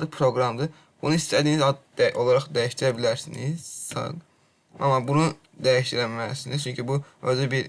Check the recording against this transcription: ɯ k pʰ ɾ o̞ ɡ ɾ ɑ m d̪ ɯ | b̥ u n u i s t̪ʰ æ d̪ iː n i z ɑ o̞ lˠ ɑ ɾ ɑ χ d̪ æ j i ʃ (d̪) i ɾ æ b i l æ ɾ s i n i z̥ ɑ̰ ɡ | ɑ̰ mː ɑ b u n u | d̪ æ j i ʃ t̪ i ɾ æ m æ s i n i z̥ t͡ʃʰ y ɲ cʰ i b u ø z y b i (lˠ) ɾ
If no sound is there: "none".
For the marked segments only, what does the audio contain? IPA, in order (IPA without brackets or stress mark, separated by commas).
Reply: t̪, none